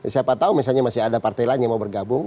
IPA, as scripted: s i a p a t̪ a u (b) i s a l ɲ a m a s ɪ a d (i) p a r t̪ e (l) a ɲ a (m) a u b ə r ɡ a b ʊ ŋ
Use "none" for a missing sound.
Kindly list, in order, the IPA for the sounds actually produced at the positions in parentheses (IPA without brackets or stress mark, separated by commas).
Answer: m, a, l, m